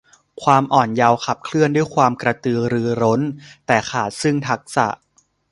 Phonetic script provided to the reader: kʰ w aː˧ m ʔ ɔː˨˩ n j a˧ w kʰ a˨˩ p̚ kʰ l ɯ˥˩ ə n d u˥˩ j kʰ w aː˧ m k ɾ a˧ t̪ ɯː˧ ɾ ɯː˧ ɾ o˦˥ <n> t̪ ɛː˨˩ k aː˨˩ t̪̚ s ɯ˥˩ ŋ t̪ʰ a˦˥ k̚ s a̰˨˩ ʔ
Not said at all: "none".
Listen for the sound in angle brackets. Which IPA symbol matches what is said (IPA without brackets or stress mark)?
n